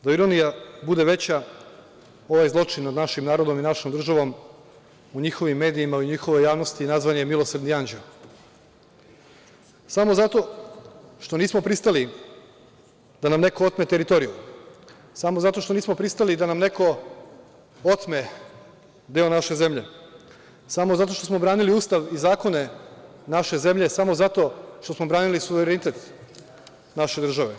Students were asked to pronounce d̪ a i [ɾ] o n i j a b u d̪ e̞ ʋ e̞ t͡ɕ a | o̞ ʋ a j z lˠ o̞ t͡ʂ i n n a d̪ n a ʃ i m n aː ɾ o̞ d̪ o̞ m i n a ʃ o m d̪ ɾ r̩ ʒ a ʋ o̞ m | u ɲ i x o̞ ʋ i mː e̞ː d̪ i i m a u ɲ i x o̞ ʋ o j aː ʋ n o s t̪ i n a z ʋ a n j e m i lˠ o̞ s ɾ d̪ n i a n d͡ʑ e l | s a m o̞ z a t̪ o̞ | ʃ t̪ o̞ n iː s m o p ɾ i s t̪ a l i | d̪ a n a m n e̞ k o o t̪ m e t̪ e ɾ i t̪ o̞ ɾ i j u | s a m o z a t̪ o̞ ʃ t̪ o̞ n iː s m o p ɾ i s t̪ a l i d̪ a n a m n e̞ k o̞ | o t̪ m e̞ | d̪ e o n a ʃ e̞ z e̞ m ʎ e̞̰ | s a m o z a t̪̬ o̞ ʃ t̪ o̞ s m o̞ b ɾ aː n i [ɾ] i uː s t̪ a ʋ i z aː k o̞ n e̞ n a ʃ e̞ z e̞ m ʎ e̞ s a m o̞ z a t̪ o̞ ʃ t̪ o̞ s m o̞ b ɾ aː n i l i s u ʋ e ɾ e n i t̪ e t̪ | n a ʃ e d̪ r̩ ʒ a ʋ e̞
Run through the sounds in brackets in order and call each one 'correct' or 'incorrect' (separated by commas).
correct, incorrect